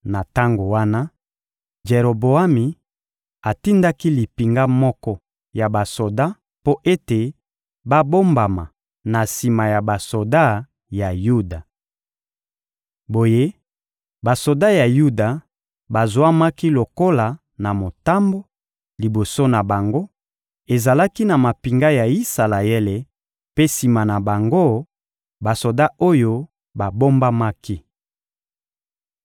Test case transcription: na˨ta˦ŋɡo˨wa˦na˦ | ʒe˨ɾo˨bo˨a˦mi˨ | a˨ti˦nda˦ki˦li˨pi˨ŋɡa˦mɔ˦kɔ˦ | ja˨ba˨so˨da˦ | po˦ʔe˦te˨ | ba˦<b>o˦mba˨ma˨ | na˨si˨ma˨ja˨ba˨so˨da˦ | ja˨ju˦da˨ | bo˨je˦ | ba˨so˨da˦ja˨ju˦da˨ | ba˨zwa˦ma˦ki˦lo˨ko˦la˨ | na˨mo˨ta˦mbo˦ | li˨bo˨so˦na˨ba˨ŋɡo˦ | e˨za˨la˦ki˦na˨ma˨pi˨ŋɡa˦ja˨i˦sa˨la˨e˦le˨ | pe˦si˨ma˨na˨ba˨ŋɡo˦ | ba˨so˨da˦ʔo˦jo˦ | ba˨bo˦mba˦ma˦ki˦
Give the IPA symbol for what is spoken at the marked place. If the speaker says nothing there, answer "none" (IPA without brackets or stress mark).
b